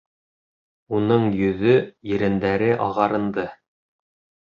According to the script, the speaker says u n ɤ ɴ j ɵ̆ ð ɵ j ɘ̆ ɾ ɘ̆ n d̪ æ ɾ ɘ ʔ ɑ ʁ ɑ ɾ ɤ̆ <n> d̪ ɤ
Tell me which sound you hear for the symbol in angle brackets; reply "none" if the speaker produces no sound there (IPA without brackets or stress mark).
n